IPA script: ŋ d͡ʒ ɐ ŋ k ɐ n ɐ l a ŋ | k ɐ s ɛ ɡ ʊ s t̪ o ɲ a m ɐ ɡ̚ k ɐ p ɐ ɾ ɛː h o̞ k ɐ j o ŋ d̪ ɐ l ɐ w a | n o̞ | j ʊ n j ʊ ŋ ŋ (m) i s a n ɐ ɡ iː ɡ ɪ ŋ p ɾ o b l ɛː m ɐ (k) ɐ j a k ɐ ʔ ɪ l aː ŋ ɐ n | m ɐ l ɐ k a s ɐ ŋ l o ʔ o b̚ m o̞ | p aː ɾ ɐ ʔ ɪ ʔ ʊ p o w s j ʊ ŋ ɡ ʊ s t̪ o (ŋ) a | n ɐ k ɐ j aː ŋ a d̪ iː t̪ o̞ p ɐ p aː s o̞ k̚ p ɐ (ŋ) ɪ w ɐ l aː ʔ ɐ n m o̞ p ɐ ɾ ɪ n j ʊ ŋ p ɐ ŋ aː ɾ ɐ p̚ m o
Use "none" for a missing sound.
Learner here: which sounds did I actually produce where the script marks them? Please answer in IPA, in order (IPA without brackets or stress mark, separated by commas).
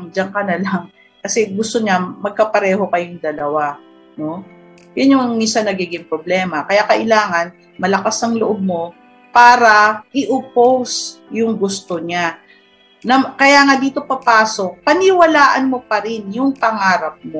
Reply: m, k, ɲ, n